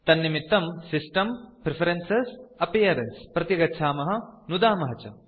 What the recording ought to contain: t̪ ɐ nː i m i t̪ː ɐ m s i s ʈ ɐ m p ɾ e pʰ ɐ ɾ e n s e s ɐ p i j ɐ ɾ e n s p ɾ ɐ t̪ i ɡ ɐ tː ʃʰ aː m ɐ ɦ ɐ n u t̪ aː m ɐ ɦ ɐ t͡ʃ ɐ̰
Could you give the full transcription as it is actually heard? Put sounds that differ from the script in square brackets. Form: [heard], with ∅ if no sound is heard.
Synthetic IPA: t̪ ɐ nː i m i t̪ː ɐ m s i s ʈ ɐ m p ɾ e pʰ ɐ ɾ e n s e s ɐ p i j ɐ ɾ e n s p ɾ ɐ t̪ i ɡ ɐ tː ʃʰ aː m ɐ ɦ ɐ n u [d̪] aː m ɐ ɦ ɐ t͡ʃ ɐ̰